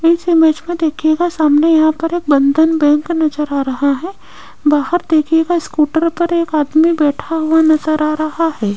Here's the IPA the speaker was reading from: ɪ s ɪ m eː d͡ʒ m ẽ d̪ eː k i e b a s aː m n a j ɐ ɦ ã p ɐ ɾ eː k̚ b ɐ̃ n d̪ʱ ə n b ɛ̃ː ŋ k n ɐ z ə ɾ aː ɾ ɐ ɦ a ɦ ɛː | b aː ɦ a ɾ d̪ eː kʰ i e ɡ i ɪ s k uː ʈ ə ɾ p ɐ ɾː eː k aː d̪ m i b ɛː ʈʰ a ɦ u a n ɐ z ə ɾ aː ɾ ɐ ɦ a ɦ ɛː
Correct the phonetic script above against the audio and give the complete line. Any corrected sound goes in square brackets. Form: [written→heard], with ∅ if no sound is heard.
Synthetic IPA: ɪ s ɪ m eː d͡ʒ m ẽ d̪ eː [k→kʰ] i e [b→ɡ] a s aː m n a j ɐ ɦ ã p ɐ ɾ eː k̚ b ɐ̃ n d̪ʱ ə n b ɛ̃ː ŋ k n ɐ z ə ɾ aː ɾ ɐ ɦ a ɦ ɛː | b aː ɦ [a→ə] ɾ d̪ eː kʰ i e ɡ [i→a] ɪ s k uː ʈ ə ɾ p ɐ [ɾː→ɾ] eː k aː d̪ m i b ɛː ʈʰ a ɦ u a n ɐ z ə ɾ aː ɾ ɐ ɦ a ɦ ɛː